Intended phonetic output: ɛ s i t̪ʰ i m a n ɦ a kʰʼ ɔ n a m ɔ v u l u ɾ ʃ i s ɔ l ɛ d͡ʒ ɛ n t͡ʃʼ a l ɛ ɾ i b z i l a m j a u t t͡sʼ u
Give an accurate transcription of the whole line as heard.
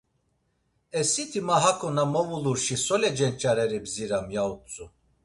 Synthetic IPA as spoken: ɛ s i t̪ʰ i m a ɦ a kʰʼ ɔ n a m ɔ v u l u ɾ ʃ i s ɔ l ɛ d͡ʒ ɛ n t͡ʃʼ a ɾ ɛ ɾ i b z i ɾ a m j a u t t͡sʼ u